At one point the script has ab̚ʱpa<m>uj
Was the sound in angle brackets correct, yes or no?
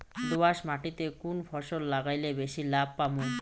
yes